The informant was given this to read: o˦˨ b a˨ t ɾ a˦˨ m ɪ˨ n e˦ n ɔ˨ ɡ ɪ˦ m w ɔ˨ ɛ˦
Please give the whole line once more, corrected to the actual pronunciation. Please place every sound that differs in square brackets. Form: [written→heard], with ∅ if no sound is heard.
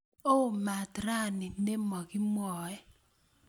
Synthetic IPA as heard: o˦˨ [b→m] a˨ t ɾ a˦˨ [m→n] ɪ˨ n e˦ [n→m] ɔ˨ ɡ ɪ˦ m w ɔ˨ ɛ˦